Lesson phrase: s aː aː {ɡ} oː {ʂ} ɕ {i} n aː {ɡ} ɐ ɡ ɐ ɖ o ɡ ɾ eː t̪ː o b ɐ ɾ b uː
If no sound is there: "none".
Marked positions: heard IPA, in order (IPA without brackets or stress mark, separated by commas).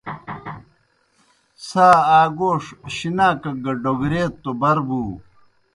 ɡ, ʂ, i, k